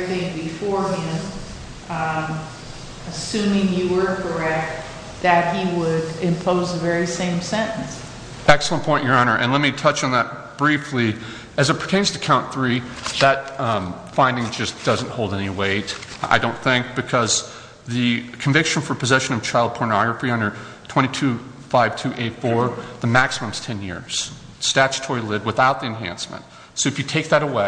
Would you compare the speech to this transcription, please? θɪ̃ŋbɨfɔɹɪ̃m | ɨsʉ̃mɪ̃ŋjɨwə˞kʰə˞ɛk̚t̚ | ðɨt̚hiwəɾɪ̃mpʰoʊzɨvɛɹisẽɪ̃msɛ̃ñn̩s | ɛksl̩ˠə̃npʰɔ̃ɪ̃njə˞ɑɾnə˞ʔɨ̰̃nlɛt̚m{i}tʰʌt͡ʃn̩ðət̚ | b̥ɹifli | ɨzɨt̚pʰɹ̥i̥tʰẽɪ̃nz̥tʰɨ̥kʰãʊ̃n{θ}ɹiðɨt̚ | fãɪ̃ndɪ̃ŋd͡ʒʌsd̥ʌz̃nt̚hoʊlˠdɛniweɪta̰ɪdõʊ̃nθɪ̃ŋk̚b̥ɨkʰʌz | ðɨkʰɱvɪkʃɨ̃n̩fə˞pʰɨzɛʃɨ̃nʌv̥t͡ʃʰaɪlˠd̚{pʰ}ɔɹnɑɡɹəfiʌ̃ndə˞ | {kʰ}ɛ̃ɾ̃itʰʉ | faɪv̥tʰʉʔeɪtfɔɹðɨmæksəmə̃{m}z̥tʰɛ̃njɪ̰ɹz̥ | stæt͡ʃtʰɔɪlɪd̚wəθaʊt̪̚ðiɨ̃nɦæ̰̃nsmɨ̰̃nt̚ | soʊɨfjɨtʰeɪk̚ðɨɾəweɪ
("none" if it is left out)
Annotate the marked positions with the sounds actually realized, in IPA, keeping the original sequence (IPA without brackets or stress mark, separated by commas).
i, θ, pʰ, tʰ, m